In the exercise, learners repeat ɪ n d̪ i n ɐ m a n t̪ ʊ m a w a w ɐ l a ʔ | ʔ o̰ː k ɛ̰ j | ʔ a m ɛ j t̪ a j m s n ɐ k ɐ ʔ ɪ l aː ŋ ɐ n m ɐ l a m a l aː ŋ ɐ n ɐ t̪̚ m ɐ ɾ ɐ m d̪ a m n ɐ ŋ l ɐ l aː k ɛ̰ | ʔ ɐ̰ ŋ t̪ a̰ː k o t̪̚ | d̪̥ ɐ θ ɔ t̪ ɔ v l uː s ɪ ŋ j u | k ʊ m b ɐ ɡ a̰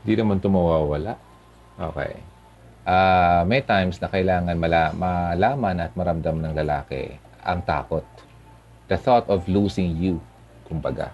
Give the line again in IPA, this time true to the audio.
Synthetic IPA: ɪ n d̪ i n ɐ m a n t̪ ʊ m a w a w ɐ l a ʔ | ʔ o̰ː k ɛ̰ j | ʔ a m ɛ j t̪ a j m s n ɐ k ɐ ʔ ɪ l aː ŋ ɐ n m ɐ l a m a l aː m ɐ n ɐ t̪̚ m ɐ ɾ ɐ m d̪ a m n ɐ ŋ l ɐ l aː k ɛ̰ | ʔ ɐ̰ ŋ t̪ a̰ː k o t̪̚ | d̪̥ ɐ θ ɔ t̪ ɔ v l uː s ɪ ŋ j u | k ʊ m b ɐ ɡ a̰